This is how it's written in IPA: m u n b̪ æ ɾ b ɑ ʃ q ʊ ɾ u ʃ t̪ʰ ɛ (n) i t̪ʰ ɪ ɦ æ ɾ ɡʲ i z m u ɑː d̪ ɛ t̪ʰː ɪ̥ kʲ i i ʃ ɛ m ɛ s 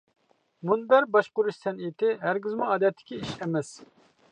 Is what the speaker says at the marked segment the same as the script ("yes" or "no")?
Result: yes